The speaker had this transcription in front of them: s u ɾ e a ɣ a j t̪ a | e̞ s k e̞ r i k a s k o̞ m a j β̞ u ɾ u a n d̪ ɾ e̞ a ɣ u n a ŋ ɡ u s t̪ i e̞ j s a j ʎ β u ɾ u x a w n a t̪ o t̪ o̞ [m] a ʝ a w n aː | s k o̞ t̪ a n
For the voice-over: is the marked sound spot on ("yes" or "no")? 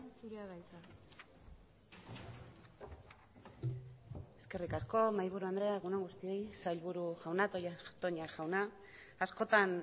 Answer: no